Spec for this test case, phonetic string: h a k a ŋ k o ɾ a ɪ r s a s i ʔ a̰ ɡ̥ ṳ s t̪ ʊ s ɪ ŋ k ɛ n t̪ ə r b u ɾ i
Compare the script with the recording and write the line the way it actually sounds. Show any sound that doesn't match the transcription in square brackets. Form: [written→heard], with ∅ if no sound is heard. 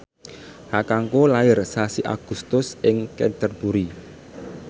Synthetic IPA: h a k a ŋ k o [ɾ→l] a ɪ r s a s i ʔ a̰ ɡ̥ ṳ s t̪ ʊ s ɪ ŋ k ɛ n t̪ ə r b u ɾ i